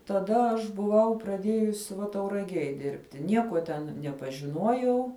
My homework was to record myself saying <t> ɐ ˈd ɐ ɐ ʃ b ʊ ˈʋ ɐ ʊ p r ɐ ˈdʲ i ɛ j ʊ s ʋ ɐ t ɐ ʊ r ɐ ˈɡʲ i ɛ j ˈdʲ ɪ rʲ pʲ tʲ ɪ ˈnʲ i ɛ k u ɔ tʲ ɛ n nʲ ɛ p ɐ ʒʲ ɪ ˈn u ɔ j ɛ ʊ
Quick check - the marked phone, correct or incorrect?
correct